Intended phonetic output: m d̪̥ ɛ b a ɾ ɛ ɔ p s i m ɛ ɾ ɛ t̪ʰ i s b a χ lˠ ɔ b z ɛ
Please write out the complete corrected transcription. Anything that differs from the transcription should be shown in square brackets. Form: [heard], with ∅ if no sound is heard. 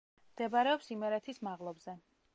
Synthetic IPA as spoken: m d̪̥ ɛ b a ɾ ɛ ɔ p s i m ɛ ɾ ɛ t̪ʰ i s [m] a [ʁ] lˠ ɔ b z ɛ